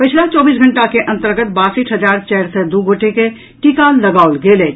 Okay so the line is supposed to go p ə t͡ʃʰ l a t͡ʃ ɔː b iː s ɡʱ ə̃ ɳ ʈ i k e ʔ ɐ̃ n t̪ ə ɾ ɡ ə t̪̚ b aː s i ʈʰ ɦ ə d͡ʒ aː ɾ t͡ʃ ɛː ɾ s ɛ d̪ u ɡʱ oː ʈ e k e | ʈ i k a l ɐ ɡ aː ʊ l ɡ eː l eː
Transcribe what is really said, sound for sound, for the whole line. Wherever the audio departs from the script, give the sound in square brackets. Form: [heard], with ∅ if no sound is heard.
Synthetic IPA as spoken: p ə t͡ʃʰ l a t͡ʃ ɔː b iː s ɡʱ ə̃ ɳ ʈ [a] k e ʔ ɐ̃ n t̪ ə ɾ ɡ ə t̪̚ b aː s i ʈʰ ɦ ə d͡ʒ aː ɾ t͡ʃ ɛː ɾ s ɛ d̪ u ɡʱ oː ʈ e k e | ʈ i k a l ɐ ɡ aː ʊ l ɡ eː l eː